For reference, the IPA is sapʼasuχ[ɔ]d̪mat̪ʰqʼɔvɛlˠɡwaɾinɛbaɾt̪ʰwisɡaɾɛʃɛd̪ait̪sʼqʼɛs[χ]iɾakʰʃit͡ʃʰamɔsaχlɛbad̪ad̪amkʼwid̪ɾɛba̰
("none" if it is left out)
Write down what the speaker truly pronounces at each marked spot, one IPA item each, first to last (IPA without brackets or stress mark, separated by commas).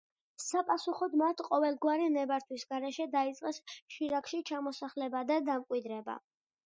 ɔ, ʃ